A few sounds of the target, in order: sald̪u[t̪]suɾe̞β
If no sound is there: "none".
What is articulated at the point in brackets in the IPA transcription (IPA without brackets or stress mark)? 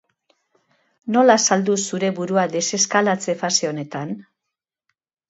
none